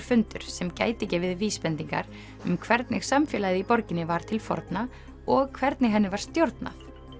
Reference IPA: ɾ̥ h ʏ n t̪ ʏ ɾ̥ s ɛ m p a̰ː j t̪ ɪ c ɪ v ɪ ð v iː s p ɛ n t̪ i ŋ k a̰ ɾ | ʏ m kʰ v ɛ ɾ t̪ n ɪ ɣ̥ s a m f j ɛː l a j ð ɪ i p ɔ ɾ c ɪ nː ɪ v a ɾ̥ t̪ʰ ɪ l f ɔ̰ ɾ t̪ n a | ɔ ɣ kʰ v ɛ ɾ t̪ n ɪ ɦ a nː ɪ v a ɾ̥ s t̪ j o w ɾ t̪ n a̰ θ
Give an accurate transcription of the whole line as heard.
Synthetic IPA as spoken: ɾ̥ f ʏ n t̪ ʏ ɾ̥ s ɛ m c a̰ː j t̪ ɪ c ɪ v ɪ ð v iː s p ɛ n t̪ i ŋ k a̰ ɾ | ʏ m kʰ v ɛ ɾ t̪ n ɪ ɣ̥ s a m f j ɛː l a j ð ɪ i p ɔ ɾ c ɪ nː ɪ v a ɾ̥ t̪ʰ ɪ l f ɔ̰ ɾ t̪ n a | ɔ ɣ kʰ v ɛ ɾ t̪ n ɪ ɦ ɛ nː ɪ v a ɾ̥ s t̪ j o w ɾ t̪ n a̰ θ